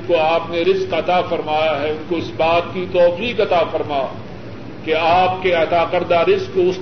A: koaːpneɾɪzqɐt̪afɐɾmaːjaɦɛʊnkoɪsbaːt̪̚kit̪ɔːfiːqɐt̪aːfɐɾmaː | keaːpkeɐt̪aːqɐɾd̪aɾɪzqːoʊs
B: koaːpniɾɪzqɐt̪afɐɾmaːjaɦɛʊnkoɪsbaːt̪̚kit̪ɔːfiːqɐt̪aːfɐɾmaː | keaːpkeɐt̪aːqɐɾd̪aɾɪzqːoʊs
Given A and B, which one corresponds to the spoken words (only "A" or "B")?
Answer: A